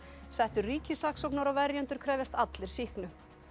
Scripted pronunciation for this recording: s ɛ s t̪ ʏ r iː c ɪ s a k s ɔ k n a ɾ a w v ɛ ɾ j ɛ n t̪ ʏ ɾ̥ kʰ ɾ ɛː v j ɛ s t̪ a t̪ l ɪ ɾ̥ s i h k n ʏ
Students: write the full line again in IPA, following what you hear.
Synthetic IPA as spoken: s ɛ h t̪ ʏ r iː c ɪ s a k s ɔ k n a ɾ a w v ɛ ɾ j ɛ n t̪ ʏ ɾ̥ kʰ ɾ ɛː v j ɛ s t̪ a t̪ l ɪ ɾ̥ s i h k n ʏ